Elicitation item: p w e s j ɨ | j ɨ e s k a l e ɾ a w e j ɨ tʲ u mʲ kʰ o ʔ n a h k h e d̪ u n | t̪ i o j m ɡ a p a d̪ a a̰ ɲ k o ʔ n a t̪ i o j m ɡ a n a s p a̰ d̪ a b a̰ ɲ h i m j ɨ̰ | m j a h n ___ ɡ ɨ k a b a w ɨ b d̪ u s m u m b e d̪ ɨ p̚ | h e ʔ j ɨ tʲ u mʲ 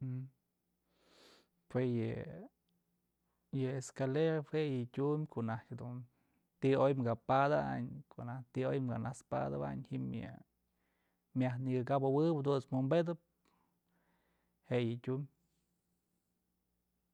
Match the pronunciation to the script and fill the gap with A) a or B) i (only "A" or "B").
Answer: B